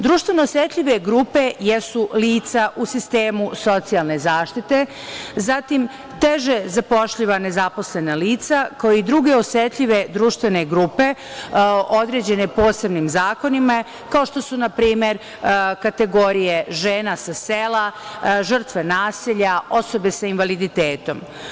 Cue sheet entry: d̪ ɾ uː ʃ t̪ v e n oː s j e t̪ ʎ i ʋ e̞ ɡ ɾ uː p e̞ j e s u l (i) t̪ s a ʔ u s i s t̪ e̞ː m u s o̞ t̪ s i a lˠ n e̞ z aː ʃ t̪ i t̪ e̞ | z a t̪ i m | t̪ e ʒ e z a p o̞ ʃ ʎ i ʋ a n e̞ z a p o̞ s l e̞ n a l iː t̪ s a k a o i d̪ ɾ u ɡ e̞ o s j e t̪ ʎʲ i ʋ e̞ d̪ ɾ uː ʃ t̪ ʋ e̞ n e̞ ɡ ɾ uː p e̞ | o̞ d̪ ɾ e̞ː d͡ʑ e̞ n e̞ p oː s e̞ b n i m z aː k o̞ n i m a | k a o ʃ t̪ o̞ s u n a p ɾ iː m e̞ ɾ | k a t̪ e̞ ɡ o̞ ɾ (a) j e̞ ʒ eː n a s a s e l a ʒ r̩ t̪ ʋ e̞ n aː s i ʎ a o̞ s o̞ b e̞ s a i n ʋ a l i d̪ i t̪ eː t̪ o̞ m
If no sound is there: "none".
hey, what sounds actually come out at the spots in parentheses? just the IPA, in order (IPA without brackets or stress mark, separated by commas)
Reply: iː, i